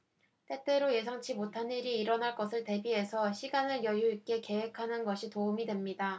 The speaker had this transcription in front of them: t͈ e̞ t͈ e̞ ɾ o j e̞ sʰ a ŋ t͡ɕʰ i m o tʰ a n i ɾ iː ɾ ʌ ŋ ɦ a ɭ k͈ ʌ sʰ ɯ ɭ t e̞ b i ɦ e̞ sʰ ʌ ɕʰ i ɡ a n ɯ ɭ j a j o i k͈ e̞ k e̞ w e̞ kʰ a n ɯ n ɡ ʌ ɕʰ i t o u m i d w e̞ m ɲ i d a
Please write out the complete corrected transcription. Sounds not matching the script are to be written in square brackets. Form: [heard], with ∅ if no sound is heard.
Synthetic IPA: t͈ e̞ t͈ e̞ ɾ o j e̞ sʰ a ŋ t͡ɕʰ i m o tʰ a n i ɾ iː ɾ ʌ [n] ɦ a ɭ k͈ ʌ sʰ ɯ ɭ t e̞ b i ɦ e̞ sʰ ʌ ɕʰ i ɡ a n ɯ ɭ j [ʌ] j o i k͈ e̞ k e̞ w e̞ kʰ a n ɯ n ɡ ʌ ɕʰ i t o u m i d w e̞ m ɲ i d a